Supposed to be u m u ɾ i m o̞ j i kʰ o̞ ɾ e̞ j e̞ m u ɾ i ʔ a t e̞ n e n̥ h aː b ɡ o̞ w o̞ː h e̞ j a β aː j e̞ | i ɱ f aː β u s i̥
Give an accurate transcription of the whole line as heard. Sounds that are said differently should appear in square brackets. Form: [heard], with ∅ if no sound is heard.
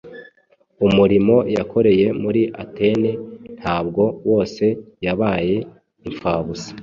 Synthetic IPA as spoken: u m u ɾ i m o̞ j [a] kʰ o̞ ɾ e̞ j e̞ m u ɾ i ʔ a t e̞ n e n̥ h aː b ɡ o̞ w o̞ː [s] e̞ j a β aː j e̞ | i ɱ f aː β u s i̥